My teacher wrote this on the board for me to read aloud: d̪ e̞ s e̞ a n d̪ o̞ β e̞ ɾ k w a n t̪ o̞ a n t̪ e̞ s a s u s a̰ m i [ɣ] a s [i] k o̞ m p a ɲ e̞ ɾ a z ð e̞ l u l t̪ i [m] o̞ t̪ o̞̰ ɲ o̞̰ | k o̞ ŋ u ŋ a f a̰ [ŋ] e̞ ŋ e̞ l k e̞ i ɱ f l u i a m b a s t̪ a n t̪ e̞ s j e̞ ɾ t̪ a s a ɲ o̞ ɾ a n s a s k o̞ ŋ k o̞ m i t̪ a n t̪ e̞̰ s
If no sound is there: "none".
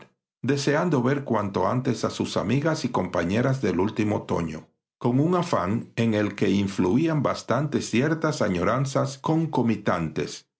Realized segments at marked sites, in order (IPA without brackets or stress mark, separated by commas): ɣ, i, m, ŋ